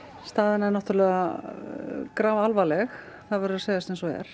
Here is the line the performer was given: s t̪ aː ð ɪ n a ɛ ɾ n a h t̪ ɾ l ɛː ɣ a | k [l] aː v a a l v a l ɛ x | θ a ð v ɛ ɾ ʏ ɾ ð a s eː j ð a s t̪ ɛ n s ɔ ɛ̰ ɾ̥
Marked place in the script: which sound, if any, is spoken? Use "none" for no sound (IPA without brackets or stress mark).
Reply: ɾ